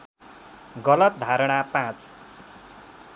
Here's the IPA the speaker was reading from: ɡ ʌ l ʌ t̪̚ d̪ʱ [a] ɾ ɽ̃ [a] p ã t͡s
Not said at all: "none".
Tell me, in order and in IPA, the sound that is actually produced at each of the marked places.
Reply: a, a

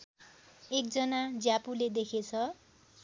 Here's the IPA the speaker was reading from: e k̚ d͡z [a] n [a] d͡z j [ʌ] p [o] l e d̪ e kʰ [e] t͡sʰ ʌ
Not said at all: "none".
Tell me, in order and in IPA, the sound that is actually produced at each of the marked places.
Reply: ʌ, a, a, u, e

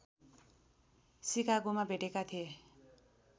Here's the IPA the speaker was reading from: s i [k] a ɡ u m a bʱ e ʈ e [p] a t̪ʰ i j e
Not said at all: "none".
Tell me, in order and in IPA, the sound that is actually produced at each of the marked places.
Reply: k, k

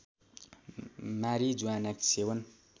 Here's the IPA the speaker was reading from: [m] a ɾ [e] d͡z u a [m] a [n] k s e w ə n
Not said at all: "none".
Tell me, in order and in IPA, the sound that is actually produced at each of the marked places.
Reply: m, i, n, none

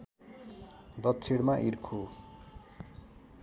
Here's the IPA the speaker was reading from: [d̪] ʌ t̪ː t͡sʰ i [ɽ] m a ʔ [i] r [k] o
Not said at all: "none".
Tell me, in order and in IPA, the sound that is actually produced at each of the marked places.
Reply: d̪, ɽ, i, kʰ

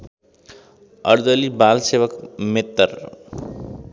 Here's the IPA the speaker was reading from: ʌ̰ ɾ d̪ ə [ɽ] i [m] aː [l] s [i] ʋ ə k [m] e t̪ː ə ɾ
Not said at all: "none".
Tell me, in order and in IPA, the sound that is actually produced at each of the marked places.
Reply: l, b, l, e, m

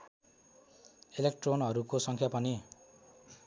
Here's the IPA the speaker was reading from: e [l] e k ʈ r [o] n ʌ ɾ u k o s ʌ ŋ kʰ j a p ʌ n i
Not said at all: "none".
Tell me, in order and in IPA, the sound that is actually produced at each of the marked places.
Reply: l, o

